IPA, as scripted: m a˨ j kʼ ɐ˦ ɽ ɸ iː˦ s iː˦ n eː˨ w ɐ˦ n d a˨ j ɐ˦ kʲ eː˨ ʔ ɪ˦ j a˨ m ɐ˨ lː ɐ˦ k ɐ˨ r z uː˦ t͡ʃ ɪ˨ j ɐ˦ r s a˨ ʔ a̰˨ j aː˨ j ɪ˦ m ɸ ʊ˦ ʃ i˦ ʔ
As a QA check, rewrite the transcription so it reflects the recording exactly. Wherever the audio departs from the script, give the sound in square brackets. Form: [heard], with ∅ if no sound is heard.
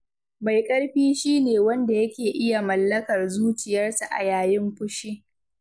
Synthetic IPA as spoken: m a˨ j kʼ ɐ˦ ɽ ɸ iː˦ [ʃ] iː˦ n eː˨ w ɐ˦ n d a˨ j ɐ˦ kʲ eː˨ ʔ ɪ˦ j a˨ m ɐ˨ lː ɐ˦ k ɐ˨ r z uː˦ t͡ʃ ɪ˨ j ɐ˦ r s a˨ ʔ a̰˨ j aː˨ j ɪ˦ m ɸ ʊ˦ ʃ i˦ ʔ

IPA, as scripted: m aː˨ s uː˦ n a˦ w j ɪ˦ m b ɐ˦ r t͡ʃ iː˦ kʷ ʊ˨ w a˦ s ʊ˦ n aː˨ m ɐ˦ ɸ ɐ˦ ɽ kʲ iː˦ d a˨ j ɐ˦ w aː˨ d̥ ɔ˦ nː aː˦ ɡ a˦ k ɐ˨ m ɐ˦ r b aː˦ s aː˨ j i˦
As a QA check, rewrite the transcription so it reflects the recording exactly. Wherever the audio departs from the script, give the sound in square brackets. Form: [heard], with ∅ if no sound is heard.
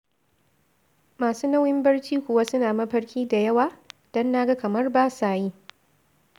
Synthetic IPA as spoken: m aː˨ s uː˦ n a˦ w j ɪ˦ m b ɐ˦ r t͡ʃ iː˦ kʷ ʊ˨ w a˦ s ʊ˦ n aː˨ m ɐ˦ ɸ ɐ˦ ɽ kʲ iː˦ d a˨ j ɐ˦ w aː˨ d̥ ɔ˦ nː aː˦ ɡ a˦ k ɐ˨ m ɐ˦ r b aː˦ s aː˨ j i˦

